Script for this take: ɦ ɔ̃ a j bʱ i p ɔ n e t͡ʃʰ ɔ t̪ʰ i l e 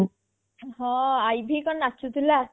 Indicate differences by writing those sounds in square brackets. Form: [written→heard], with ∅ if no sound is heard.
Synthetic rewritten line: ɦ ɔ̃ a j bʱ i [p→k] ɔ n [e→a] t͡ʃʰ [ɔ→u] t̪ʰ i l [e→a]